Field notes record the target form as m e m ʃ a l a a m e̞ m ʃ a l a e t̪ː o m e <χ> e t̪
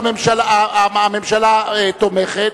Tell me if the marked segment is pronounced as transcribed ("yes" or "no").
yes